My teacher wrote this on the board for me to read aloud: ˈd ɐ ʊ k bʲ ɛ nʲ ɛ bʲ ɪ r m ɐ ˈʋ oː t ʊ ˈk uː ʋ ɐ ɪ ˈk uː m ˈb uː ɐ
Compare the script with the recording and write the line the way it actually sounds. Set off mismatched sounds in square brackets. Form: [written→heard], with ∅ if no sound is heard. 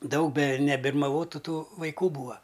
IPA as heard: ˈd ɐ ʊ k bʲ ɛ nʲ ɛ bʲ ɪ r m ɐ ˈʋ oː t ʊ [ˈk→ˈt] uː ʋ ɐ ɪ ˈk uː [m→∅] ˈb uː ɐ